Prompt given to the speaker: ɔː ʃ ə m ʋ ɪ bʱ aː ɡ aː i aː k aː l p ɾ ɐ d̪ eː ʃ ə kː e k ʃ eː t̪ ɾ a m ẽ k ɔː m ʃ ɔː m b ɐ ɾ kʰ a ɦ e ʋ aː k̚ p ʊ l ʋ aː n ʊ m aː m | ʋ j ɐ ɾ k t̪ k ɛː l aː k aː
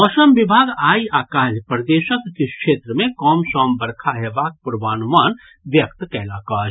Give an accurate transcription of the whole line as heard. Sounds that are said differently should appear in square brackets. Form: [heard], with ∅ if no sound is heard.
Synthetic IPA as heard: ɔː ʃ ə m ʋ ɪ bʱ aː ɡ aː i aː k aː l p ɾ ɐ d̪ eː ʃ ə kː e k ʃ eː t̪ ɾ [ə] m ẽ k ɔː m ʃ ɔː m b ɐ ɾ kʰ a ɦ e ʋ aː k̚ p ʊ [ɾ] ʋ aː n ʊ m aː [n] | ʋ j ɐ [∅] k t̪ k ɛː l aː k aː